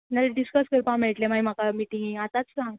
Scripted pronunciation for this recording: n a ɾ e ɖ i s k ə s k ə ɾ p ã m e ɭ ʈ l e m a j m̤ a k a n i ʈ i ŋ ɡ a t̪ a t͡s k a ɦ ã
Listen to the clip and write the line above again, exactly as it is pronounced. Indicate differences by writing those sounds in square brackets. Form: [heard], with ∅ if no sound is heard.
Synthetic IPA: n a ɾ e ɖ i s k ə s k ə ɾ p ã m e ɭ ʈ l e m a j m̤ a k a [m] i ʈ i ŋ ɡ a t̪ a t͡s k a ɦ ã